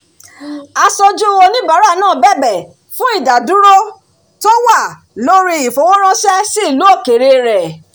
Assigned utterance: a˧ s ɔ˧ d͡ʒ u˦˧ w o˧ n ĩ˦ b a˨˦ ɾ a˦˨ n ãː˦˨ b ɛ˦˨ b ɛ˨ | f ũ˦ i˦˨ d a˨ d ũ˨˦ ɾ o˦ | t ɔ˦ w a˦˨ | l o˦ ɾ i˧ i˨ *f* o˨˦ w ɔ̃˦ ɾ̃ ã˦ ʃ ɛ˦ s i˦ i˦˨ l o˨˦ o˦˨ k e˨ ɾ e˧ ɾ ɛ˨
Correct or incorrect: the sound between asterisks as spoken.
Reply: correct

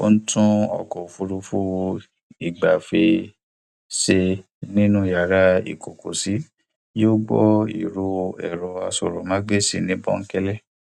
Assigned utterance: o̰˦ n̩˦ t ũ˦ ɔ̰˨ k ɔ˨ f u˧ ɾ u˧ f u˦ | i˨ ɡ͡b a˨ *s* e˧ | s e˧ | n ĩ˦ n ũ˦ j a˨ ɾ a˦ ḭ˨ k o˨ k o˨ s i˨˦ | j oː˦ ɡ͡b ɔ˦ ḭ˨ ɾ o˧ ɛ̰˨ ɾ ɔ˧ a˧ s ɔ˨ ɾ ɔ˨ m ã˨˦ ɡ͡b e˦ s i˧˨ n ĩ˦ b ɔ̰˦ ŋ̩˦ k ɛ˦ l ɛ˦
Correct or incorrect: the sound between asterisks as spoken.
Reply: incorrect: f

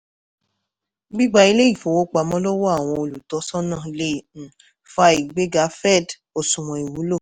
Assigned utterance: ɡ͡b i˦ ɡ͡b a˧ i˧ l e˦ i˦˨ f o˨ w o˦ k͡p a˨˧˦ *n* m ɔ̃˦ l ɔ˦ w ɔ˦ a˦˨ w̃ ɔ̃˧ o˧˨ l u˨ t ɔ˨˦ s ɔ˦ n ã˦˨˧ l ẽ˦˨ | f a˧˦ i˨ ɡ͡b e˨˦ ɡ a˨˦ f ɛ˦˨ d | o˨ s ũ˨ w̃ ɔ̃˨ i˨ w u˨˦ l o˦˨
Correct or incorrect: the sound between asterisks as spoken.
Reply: incorrect: none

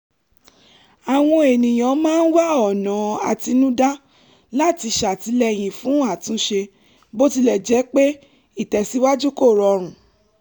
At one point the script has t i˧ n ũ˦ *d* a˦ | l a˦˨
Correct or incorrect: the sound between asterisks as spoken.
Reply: correct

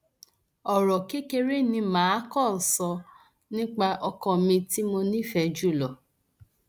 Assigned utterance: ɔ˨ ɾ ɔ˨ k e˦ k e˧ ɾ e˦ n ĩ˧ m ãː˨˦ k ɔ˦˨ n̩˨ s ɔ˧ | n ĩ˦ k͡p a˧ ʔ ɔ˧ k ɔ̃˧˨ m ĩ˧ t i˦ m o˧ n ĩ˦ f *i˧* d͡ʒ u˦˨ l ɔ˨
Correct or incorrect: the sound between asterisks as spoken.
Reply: incorrect: ɛ˧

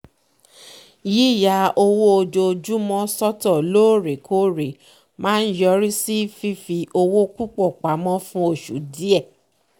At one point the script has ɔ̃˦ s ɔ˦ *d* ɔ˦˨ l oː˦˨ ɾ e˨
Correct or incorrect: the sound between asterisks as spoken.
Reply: incorrect: t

